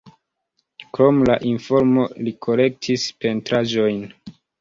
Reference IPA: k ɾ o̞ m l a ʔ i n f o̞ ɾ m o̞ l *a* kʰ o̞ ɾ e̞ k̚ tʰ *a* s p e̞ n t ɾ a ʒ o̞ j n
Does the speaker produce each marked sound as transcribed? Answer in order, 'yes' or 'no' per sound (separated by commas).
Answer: no, no